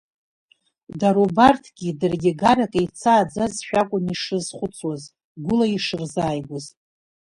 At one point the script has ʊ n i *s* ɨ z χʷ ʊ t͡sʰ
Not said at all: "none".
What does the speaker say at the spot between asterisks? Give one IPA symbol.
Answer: ʂ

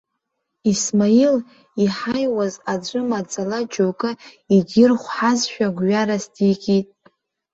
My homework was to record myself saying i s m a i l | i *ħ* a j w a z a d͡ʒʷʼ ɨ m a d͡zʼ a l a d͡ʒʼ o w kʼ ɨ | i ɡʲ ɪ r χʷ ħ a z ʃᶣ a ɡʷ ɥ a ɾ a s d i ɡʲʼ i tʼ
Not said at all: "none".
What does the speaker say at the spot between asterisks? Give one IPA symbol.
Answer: ħ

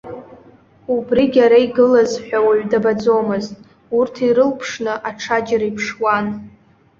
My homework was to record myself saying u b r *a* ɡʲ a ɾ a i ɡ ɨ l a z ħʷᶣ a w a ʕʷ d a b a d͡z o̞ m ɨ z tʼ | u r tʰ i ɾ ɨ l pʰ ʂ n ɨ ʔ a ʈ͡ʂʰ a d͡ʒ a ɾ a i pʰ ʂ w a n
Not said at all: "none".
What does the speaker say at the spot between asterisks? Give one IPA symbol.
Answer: i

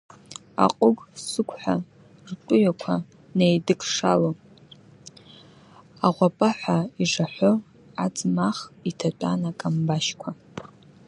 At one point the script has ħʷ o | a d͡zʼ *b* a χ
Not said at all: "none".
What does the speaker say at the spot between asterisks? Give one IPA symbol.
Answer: m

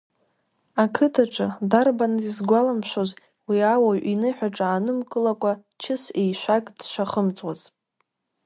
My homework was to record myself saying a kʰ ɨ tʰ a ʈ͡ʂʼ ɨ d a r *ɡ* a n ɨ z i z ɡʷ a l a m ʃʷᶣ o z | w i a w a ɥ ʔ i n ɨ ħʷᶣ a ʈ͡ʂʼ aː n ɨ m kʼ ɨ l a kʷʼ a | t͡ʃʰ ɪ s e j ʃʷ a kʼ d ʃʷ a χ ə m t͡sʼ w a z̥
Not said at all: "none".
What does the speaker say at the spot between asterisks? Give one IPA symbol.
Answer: b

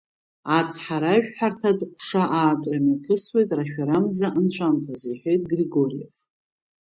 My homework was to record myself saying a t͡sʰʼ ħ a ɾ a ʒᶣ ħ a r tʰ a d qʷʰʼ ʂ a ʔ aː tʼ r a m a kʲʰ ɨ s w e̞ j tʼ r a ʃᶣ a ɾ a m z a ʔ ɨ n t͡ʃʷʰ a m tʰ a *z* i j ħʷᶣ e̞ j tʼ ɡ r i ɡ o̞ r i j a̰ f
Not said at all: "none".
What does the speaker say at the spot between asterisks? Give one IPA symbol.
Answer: z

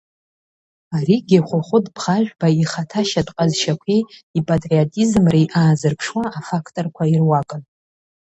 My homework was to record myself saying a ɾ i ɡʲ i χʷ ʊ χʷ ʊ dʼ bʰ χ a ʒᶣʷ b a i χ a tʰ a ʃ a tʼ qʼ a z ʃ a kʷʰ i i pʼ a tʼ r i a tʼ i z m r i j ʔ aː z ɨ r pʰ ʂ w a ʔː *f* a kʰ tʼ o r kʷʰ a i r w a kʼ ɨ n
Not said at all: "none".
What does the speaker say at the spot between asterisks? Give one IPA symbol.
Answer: f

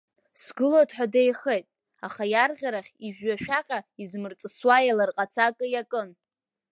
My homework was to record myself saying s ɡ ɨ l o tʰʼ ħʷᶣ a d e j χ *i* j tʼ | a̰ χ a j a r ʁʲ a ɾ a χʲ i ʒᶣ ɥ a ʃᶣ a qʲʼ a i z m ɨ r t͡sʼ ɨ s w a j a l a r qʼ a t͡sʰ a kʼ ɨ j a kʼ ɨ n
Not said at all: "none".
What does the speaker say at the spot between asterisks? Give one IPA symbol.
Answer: e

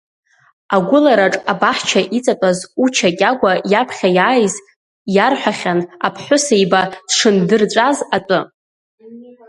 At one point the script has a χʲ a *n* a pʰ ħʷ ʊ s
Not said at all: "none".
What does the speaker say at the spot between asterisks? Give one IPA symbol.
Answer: n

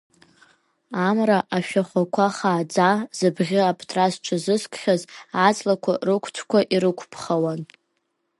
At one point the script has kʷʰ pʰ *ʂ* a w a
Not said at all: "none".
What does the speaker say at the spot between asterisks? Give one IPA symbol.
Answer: χ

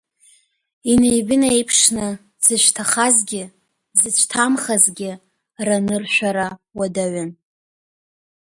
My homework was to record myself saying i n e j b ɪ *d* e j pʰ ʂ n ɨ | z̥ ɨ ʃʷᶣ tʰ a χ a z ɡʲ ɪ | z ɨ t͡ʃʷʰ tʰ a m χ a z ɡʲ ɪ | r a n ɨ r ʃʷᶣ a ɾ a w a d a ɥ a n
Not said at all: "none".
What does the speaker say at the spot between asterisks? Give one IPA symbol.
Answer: n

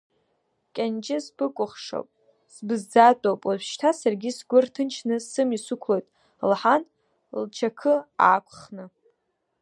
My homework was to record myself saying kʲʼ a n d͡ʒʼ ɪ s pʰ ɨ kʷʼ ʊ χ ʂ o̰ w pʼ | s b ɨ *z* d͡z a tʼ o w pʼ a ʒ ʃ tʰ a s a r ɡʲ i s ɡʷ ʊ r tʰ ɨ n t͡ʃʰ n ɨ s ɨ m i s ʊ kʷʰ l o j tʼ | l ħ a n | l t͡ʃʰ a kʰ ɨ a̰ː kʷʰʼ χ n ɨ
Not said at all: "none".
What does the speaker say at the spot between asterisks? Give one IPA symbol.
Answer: z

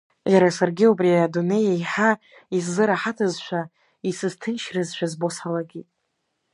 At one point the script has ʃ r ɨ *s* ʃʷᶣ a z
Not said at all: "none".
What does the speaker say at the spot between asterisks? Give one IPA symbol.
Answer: z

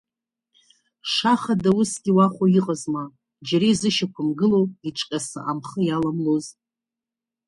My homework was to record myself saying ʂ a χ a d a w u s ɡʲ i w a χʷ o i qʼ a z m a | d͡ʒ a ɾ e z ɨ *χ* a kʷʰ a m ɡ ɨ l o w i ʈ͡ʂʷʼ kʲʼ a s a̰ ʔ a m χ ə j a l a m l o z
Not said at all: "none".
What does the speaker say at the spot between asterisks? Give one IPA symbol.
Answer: ʃ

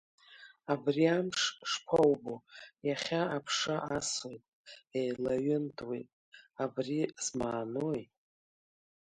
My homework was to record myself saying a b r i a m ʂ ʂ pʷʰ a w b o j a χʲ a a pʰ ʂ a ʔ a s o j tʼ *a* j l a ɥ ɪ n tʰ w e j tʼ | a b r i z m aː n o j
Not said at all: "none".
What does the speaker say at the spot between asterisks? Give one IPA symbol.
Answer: e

